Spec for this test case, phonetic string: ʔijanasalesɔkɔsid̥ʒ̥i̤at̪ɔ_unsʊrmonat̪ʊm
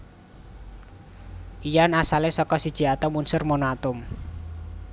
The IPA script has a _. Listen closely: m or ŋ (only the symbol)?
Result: m